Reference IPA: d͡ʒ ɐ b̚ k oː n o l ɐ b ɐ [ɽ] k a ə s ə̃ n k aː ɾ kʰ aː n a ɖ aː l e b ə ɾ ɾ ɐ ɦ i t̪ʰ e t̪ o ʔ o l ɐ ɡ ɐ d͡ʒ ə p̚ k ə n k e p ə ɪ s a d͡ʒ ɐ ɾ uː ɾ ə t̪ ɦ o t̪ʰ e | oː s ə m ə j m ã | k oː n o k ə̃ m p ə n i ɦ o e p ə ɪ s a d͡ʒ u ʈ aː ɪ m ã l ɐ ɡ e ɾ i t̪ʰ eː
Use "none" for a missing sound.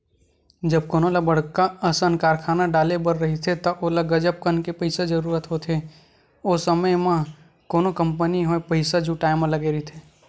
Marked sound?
ɽ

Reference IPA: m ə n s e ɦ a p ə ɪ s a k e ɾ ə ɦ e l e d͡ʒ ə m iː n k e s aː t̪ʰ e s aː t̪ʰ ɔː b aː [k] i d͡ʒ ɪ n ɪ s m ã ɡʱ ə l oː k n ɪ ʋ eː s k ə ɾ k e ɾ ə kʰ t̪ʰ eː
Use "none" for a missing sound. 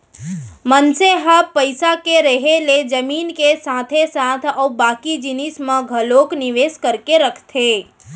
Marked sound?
k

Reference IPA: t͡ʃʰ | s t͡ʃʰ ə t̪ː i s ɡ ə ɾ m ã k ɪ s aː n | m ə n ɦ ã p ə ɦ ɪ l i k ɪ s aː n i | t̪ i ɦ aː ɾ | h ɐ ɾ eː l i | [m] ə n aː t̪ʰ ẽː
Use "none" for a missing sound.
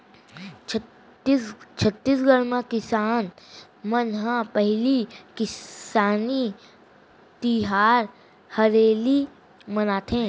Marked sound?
m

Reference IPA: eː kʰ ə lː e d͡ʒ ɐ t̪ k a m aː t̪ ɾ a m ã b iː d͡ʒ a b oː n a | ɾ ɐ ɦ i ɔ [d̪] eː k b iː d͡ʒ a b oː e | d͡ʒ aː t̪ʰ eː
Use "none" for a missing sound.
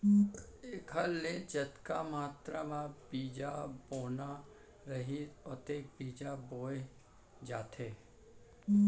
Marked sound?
t̪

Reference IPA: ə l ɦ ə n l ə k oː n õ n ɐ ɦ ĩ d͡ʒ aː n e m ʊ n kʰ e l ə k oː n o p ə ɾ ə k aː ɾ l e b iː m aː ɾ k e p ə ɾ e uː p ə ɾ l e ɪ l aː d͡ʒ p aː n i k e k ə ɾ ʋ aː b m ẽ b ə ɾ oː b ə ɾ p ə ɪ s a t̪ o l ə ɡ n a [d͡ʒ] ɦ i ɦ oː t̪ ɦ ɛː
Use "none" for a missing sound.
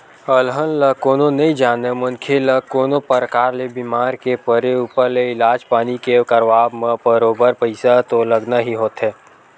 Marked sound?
none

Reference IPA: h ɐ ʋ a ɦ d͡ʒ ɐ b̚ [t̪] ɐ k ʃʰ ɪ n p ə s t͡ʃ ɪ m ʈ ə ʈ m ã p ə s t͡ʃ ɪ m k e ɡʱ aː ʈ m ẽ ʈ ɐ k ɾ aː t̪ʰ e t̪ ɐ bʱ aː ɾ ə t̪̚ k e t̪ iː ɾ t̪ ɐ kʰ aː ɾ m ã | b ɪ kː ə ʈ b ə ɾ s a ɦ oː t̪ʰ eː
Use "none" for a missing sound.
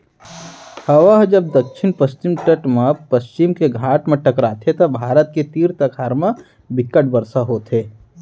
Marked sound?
d̪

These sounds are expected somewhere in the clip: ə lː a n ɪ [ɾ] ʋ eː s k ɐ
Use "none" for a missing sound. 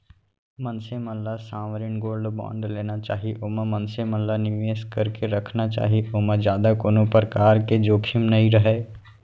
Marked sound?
none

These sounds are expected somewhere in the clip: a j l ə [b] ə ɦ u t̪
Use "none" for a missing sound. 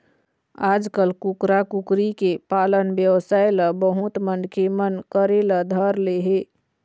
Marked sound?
b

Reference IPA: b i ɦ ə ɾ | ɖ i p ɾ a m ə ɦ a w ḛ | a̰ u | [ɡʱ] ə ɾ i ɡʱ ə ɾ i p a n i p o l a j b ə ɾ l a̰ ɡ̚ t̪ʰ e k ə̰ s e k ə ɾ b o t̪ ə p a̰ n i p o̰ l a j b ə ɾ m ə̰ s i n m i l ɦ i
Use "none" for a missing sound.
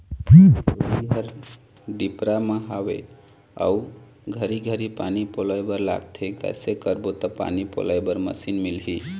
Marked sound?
ɡʱ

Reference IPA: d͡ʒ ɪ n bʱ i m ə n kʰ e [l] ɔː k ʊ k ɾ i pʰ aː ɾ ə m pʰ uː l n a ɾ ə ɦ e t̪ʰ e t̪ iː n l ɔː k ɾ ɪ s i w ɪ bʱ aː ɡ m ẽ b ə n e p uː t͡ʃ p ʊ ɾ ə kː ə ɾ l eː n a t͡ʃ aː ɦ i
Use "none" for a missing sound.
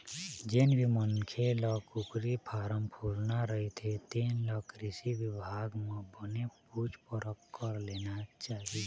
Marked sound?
l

